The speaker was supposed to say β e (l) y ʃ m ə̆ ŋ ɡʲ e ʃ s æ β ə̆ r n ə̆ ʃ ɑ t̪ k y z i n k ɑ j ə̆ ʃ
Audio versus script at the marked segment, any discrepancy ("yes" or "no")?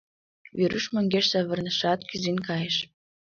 yes